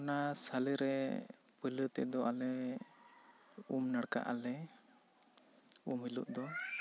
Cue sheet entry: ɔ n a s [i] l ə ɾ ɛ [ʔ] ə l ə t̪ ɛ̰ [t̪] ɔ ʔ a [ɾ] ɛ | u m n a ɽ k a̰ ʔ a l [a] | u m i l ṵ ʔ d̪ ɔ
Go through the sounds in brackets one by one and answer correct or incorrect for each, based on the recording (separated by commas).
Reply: incorrect, incorrect, incorrect, incorrect, incorrect